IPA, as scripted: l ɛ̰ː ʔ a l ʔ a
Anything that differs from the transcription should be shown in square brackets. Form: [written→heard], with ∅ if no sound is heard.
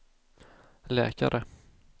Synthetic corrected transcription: l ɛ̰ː [ʔ→k] a [l→ɾ] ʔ [a→ə]